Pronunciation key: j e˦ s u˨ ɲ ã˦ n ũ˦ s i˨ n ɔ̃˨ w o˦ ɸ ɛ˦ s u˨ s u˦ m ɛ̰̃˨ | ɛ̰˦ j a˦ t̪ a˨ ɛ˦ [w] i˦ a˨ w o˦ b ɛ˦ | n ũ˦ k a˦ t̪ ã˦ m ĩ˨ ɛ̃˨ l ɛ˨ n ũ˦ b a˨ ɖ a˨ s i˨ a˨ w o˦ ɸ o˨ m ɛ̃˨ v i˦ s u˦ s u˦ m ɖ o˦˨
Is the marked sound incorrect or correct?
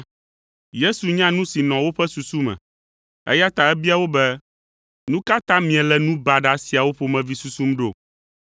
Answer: incorrect